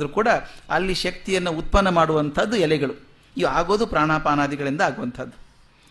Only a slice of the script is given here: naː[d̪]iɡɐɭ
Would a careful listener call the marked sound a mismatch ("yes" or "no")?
no